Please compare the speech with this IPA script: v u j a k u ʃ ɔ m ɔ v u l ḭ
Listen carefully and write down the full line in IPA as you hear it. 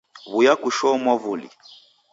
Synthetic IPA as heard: β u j a k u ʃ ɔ m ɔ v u l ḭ